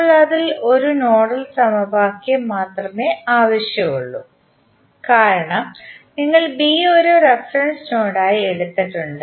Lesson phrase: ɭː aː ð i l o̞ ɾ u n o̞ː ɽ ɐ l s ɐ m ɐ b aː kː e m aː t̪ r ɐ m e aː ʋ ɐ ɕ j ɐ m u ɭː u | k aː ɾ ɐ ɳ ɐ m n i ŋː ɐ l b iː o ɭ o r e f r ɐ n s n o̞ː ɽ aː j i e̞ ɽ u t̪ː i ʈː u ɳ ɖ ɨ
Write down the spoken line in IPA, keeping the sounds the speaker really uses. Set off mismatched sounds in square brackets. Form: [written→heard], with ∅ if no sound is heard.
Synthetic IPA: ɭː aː ð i l o̞ ɾ u n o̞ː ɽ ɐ l s ɐ m ɐ b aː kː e m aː t̪ r ɐ m e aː ʋ ɐ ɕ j ɐ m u ɭː u | k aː ɾ ɐ ɳ ɐ m n i ŋː ɐ [l→ɭ] b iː o [ɭ→ɾ] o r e f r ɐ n s n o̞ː ɽ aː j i e̞ ɽ u t̪ː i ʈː u ɳ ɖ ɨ